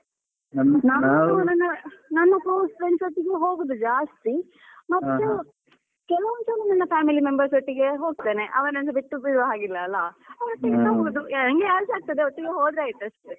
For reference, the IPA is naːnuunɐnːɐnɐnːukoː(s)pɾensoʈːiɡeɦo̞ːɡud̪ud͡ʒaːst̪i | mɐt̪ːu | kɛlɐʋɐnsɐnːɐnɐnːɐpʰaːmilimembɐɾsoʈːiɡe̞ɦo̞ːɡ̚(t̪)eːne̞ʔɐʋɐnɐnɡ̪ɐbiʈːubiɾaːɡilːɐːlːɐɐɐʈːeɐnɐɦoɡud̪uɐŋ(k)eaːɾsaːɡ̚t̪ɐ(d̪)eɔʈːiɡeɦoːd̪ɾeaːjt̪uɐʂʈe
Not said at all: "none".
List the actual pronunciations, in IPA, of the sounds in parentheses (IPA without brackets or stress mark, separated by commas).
s, t̪, ɡ, d̪